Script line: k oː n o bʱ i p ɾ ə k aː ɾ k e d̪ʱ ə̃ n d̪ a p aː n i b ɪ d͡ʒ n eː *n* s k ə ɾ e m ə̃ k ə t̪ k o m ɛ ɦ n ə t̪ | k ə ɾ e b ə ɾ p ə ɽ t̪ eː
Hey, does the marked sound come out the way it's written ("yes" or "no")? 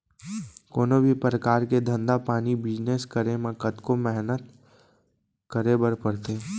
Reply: no